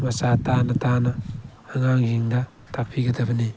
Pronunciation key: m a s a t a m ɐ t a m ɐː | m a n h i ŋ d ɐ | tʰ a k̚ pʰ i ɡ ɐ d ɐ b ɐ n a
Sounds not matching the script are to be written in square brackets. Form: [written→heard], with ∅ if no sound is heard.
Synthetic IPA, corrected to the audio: m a s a t a [m→n] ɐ t a [m→n] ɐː | [m→ŋ] a [n→ŋ] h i ŋ d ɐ | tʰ a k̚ pʰ i ɡ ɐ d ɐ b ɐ n [a→i]